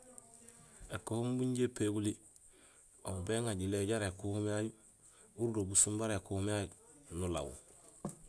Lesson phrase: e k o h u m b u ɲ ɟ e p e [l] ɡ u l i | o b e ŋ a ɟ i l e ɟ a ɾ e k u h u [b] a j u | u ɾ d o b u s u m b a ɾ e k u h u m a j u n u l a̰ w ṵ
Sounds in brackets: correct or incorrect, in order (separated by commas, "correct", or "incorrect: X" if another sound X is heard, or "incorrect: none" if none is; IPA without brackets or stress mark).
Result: incorrect: none, incorrect: m